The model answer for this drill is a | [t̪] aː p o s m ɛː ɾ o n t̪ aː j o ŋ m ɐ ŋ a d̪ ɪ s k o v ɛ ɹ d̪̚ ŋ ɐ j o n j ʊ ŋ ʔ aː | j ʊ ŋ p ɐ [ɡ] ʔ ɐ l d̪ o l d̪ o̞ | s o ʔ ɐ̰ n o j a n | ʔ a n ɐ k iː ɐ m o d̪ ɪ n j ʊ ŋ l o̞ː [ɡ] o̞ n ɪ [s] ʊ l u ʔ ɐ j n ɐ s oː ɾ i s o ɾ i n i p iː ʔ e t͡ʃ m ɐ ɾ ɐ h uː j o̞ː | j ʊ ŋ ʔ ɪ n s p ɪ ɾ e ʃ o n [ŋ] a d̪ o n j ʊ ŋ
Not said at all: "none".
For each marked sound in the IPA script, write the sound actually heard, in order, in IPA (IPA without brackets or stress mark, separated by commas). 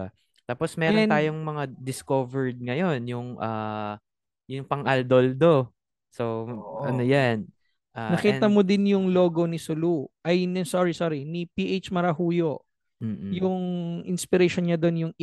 t̪, ŋ, ɡ, s, ɲ